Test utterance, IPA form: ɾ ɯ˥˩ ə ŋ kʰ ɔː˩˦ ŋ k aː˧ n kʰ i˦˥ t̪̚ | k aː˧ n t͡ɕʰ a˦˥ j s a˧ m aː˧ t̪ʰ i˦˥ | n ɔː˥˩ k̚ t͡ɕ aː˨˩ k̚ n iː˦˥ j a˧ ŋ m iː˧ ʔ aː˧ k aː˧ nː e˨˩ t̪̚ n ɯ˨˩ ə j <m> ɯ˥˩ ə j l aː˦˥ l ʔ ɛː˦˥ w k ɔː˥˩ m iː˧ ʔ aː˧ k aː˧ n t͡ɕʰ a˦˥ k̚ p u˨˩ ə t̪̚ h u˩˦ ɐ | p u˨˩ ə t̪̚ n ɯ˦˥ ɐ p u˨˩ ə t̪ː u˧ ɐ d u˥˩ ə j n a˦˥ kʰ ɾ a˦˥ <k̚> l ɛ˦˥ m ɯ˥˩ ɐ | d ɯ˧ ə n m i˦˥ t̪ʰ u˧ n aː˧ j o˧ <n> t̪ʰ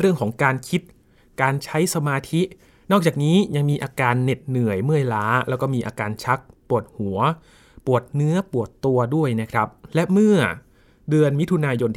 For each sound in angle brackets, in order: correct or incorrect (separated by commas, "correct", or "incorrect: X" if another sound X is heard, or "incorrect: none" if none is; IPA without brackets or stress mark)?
correct, incorrect: p̚, correct